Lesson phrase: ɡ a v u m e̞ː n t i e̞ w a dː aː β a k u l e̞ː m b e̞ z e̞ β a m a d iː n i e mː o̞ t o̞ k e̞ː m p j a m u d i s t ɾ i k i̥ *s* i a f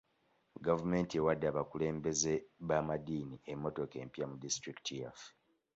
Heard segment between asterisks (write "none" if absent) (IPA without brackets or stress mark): t